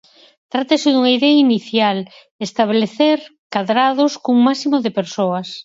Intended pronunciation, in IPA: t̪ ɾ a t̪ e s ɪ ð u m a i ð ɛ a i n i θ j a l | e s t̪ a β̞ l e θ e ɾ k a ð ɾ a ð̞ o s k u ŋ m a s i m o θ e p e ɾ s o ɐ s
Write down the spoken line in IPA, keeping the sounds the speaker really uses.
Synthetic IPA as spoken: t̪ ɾ a t̪ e s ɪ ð u ŋ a i ð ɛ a i n i θ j a l | e s t̪ a β̞ l e θ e ɾ k a ð ɾ a ð̞ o s k u ŋ m a s i m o ð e p e ɾ s o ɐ s